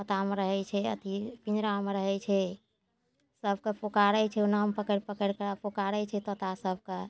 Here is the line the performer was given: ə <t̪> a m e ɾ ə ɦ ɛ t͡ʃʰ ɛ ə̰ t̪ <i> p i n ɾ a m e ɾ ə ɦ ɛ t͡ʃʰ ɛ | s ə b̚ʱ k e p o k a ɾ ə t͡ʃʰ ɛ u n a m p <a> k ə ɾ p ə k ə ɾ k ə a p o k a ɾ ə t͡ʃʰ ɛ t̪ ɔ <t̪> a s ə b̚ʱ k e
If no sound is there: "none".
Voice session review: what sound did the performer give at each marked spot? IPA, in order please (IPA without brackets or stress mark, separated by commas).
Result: t̪, i, ə, t̪